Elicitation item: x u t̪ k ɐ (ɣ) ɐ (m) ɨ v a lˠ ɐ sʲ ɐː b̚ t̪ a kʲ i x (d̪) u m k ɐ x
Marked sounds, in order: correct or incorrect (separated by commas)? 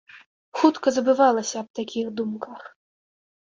incorrect, incorrect, correct